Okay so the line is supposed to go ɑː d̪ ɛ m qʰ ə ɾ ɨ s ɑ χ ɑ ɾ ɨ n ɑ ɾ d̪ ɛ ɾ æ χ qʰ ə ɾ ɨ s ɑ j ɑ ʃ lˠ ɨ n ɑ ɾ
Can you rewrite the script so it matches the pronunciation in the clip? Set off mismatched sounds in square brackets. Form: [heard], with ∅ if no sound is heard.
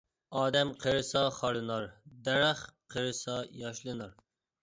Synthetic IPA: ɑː d̪ ɛ m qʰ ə ɾ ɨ s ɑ χ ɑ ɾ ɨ n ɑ ɾ d̪ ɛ ɾ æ χ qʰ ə ɾ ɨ s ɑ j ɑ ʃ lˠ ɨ n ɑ ɾ